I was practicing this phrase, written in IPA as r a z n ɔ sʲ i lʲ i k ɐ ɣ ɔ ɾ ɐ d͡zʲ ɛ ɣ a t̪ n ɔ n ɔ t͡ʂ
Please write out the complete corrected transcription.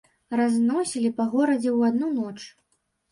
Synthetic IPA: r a z n ɔ sʲ i lʲ i p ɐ ɣ ɔ ɾ ɐ d͡zʲ ɛ w a d̪ n u n ɔ t͡ʂ